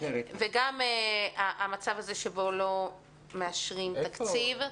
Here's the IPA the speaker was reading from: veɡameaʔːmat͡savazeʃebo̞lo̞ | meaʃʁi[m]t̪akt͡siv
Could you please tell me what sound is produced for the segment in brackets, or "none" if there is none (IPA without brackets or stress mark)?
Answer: m